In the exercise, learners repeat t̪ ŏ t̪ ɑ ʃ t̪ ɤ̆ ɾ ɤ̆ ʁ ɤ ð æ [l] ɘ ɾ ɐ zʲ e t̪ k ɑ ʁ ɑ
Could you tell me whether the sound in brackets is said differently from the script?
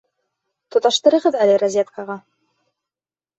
no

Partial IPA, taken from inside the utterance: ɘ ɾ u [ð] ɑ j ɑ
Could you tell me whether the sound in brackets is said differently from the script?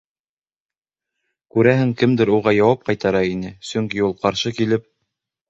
yes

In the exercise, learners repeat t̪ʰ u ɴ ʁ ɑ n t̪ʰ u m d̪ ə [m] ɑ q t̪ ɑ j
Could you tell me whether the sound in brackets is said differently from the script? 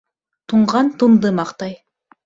no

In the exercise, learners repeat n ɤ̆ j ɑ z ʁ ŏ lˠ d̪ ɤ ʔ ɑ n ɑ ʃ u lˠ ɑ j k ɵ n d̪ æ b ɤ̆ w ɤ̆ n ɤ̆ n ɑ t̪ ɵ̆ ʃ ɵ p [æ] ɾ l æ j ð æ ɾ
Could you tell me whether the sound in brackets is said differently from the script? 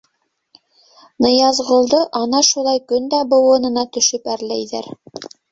no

